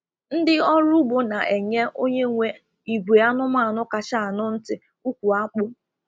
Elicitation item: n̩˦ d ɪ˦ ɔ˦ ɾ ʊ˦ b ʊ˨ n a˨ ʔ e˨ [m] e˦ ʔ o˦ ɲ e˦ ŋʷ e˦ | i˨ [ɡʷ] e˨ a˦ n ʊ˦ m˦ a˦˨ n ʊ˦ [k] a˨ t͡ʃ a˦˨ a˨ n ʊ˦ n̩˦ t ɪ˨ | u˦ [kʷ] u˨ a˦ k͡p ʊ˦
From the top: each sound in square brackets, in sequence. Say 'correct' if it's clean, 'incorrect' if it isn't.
incorrect: ɲ, correct, correct, correct

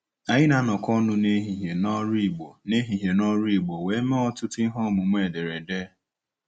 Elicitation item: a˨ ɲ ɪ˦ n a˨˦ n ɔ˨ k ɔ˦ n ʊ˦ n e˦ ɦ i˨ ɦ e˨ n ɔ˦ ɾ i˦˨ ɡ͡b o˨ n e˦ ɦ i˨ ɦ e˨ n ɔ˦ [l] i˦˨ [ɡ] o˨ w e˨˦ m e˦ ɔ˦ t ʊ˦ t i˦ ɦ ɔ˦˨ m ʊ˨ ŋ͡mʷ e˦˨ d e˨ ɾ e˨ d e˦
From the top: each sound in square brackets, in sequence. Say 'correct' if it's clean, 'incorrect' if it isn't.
incorrect: ɾ, incorrect: ɡ͡b

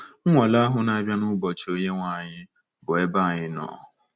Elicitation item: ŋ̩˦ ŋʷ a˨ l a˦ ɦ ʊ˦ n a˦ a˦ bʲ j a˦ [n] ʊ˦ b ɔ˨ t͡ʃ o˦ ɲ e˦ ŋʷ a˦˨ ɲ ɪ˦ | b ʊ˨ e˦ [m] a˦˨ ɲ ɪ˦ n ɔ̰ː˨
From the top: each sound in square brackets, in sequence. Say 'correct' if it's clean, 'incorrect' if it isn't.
correct, incorrect: b

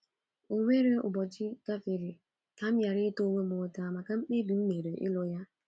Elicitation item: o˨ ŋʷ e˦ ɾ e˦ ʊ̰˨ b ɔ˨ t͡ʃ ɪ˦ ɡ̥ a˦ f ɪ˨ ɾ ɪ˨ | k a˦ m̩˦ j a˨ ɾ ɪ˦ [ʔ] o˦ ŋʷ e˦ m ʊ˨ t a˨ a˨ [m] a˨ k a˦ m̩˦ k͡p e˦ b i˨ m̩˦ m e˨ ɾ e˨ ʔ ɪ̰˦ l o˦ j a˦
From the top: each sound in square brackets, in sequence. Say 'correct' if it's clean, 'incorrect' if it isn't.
incorrect: t, correct

